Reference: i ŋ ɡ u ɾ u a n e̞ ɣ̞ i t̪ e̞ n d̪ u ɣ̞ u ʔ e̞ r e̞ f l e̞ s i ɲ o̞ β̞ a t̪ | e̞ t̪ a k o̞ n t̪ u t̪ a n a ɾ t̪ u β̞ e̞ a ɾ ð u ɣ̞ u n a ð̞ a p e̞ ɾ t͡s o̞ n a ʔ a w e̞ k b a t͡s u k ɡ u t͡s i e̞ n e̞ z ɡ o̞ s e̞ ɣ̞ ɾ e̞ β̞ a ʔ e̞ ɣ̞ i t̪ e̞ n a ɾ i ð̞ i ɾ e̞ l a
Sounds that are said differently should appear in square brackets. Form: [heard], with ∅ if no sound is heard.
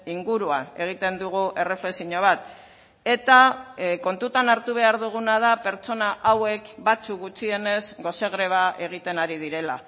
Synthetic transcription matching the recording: i ŋ ɡ u ɾ u a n e̞ ɣ̞ i t̪ e̞ n d̪ u ɣ̞ u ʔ e̞ r e̞ f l e̞ s i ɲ o̞ β̞ a t̪ | e̞ t̪ a k o̞ n t̪ u t̪ a n a ɾ t̪ u β̞ e̞ a ɾ ð u ɣ̞ u n a ð̞ a p e̞ ɾ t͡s o̞ n a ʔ a w e̞ k b a t͡s u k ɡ u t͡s i e̞ n e̞ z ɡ o̞ s e̞ ɣ̞ ɾ e̞ β̞ a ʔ e̞ ɣ̞ i t̪ e̞ n a ɾ i ð̞ i ɾ e̞ l a